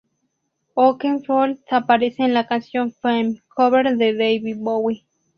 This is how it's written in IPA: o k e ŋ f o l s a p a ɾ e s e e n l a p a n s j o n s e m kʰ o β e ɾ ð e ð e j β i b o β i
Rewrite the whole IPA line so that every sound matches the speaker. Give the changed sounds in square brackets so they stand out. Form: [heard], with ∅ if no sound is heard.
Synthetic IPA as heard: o k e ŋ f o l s a p a ɾ e s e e n l a [k] a n s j o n [f] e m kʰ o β e ɾ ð e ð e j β i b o [w] i